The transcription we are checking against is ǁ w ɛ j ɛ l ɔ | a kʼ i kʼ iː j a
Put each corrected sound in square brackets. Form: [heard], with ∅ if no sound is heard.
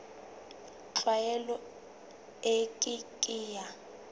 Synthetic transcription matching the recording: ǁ w [a] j ɛ l ɔ | [e] kʼ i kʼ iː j a